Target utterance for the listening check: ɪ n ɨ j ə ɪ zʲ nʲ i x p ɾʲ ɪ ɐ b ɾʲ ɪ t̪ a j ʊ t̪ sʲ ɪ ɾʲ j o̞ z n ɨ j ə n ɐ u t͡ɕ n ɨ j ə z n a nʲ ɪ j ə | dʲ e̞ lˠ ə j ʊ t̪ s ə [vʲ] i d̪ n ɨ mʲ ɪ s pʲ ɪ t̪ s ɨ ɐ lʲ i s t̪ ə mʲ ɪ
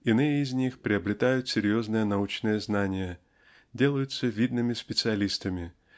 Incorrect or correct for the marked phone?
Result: correct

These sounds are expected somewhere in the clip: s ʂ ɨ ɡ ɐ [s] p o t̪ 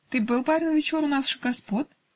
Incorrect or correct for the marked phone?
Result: correct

